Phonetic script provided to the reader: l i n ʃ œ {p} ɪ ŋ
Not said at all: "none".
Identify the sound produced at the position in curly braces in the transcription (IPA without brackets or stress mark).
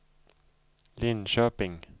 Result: p